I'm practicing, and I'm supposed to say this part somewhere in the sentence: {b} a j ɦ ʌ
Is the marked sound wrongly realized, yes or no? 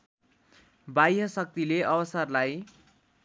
no